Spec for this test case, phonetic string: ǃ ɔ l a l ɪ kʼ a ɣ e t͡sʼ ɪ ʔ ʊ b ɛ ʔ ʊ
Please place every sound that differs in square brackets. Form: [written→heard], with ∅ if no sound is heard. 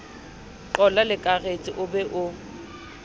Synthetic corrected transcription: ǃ ɔ l a l ɪ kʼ a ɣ e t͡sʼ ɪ ʔ ʊ b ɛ ʔ ʊ